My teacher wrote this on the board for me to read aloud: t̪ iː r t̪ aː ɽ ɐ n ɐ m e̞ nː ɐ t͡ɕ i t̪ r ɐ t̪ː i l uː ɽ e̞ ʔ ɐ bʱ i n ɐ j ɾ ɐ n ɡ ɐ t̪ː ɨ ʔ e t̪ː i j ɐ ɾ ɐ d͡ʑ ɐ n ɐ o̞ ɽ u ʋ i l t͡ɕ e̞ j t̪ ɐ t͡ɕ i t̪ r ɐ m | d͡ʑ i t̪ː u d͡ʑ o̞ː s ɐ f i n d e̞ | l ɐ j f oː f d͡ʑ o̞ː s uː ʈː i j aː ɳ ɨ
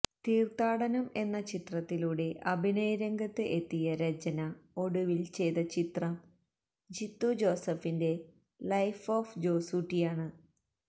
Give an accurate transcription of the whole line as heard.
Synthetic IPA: t̪ iː r t̪ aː ɽ ɐ n ɐ m e̞ nː ɐ t͡ɕ i t̪ r ɐ t̪ː i l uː ɽ e̞ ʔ ɐ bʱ i n ɐ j ɾ ɐ ŋ ɡ ɐ t̪ː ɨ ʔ e t̪ː i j ɐ ɾ ɐ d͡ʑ ɐ n ɐ o̞ ɽ u ʋ i l t͡ɕ e̞ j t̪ ɐ t͡ɕ i t̪ r ɐ m | d͡ʑ i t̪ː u d͡ʑ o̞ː s ɐ f i n d e̞ | l ɐ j f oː f d͡ʑ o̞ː s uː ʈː i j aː ɳ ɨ